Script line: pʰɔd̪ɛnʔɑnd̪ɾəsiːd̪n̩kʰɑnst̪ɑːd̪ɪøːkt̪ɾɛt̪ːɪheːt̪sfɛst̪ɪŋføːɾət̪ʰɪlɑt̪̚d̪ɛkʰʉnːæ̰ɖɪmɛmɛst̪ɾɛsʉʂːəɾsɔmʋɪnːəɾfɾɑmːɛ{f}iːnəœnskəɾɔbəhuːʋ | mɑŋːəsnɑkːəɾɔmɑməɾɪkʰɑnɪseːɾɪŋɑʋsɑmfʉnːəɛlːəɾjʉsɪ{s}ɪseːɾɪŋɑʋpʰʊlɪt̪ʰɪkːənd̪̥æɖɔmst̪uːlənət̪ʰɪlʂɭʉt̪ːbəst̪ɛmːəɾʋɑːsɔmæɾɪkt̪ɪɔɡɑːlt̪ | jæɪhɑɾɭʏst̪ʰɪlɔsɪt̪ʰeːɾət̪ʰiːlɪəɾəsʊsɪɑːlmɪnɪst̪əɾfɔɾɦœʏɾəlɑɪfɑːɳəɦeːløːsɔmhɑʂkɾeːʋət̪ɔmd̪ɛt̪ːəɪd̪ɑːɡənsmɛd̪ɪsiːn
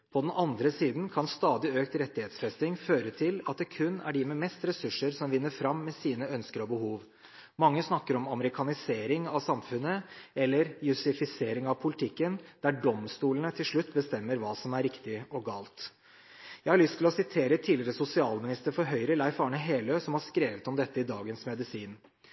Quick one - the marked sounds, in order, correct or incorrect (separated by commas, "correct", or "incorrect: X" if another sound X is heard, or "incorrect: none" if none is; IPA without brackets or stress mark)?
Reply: incorrect: s, incorrect: f